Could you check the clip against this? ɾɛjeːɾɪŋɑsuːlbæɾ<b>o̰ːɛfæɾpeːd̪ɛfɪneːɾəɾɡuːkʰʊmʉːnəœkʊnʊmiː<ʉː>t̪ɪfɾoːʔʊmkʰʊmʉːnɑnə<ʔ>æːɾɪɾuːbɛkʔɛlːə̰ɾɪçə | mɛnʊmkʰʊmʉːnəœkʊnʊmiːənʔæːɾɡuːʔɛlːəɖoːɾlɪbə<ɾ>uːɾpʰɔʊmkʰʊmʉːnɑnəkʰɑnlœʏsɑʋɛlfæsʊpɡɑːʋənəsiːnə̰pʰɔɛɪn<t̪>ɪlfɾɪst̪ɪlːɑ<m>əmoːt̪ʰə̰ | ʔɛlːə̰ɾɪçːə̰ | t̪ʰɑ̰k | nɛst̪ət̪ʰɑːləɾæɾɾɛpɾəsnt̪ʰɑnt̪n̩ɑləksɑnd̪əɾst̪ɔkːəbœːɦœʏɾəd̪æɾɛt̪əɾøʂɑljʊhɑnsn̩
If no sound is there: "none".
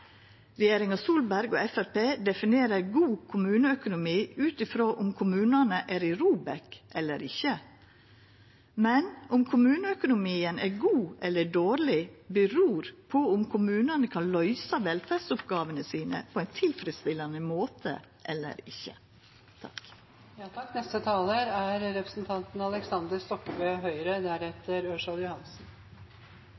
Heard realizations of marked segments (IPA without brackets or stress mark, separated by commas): ɡ, ʉː, ʔ, ɾ, t̪ʰ, n